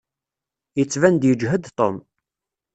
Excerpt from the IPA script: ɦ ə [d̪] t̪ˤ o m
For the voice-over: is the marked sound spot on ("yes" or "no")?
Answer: yes